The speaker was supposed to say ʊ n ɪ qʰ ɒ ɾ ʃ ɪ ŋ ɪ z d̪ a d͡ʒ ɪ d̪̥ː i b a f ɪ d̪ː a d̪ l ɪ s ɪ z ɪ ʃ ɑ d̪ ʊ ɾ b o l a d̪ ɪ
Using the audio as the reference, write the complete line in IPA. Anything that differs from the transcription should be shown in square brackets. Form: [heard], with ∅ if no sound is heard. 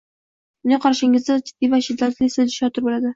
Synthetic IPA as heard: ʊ n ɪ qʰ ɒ ɾ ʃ ɪ ŋ ɪ z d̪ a d͡ʒ ɪ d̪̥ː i [v] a [ʃ] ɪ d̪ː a [t̪] l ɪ s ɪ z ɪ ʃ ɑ [t̪] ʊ ɾ b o l a d̪ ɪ